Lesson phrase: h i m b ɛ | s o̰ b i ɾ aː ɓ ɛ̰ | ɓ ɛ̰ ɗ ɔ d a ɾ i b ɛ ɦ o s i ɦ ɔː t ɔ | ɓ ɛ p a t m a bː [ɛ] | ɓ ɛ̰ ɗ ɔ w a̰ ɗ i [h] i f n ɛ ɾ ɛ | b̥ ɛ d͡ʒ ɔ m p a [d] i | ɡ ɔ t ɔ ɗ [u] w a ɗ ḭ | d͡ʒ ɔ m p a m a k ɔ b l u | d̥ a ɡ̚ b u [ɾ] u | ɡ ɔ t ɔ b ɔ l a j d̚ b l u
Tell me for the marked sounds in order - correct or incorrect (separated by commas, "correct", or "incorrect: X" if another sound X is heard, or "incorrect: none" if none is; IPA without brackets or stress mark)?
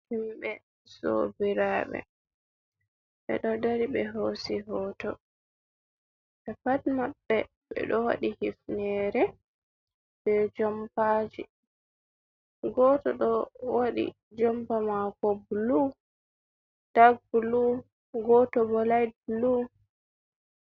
correct, correct, incorrect: d͡ʒ, incorrect: ɔ, incorrect: l